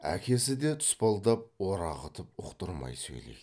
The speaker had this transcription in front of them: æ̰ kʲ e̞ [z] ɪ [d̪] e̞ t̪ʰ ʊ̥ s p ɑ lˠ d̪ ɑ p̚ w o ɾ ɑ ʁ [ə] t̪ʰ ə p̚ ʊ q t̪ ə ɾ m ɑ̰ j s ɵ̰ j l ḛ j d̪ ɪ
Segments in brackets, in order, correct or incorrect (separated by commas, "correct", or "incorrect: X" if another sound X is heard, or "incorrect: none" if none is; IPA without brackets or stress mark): incorrect: s, correct, correct